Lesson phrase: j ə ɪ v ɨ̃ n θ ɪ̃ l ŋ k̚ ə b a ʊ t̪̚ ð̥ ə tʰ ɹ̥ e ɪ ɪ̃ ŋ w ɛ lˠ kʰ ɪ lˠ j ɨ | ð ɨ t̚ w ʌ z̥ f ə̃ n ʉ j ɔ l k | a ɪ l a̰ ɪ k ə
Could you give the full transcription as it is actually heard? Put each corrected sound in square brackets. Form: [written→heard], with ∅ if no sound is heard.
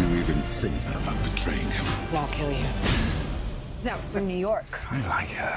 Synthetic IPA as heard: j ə [ɪ→i] v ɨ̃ n θ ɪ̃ [l→∅] ŋ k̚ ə b a ʊ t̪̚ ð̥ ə tʰ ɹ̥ e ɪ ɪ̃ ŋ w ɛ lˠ kʰ ɪ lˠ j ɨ | ð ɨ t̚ w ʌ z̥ f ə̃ n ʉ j ɔ [l→ɹ] k | a ɪ l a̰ ɪ k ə